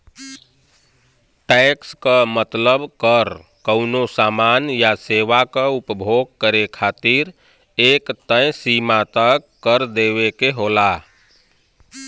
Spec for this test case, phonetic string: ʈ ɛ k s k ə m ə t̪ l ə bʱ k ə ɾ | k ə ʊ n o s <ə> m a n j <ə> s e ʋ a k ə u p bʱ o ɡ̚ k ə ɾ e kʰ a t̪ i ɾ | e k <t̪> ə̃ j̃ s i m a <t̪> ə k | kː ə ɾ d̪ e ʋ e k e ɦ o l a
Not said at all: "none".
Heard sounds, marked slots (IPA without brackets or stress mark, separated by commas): a, a, t̪, t̪